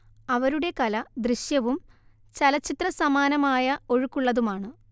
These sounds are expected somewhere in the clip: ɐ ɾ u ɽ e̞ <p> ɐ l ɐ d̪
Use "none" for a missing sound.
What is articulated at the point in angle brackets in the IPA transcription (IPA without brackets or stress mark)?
k